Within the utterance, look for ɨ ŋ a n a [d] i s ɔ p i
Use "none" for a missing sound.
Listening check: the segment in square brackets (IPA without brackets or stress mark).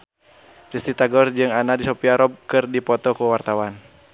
d